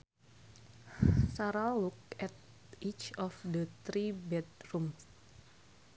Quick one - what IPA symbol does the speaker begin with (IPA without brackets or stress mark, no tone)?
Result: s